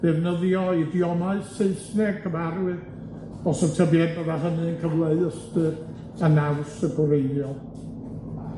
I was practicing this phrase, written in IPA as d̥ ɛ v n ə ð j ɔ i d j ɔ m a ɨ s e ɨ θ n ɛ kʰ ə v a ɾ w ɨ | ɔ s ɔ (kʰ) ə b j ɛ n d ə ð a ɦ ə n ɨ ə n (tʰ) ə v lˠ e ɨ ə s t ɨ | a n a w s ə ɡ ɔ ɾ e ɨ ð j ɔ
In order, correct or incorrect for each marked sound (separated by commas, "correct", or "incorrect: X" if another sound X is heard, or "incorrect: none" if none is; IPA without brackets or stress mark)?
incorrect: tʰ, incorrect: kʰ